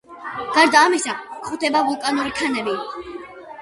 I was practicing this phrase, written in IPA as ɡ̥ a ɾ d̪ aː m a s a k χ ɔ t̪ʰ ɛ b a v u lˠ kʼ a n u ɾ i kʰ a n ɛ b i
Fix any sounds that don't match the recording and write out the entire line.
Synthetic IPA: ɡ̥ a ɾ d̪ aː m i s a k χ u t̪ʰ ɛ b a v u lˠ kʼ a n u ɾ i kʰ a n ɛ b i